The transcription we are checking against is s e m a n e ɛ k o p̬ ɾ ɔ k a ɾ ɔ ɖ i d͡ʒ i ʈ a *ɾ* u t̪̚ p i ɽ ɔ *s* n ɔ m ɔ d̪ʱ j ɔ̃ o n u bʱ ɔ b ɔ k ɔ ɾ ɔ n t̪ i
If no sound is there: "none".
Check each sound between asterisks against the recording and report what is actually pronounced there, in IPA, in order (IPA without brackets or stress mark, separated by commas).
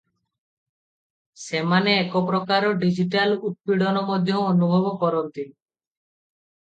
l, none